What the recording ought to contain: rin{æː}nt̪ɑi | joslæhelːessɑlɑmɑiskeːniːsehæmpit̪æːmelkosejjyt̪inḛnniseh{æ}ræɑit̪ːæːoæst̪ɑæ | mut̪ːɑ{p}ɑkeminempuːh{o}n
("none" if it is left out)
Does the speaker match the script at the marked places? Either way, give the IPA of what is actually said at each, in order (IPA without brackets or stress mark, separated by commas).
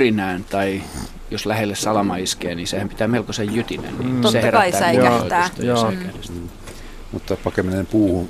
æː, e, p, u